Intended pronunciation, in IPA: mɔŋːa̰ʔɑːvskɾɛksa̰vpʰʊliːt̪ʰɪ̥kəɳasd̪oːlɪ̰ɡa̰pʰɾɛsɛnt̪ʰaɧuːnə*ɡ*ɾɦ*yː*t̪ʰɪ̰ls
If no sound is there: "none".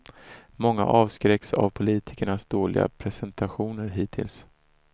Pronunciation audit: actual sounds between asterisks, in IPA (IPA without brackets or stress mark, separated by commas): none, iː